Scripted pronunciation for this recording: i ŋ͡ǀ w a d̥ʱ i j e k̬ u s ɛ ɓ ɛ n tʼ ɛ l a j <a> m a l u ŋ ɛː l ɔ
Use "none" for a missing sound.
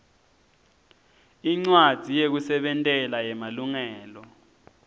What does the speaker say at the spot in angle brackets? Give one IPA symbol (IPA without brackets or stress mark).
ɛ